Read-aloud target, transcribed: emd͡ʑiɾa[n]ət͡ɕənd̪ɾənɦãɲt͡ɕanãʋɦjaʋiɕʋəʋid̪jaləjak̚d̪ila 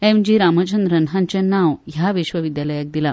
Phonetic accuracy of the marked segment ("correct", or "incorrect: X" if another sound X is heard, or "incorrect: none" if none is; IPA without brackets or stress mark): incorrect: m